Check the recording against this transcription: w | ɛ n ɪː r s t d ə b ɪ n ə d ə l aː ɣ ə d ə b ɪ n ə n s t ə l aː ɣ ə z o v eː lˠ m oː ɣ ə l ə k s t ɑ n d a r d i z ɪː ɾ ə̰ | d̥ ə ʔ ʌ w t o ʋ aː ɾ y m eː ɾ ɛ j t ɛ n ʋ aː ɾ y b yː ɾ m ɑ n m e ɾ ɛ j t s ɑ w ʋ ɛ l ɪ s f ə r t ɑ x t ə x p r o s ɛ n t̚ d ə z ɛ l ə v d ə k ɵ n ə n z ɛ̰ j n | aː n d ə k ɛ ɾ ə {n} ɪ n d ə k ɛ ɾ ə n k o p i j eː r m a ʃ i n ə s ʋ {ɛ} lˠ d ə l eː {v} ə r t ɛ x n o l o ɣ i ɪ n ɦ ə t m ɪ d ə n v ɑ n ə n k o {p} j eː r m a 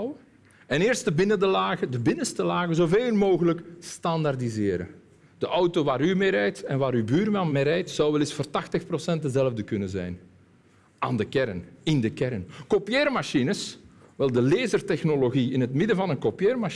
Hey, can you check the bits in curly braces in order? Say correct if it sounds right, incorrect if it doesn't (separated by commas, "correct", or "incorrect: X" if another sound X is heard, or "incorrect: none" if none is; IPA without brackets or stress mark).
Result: correct, correct, incorrect: z, correct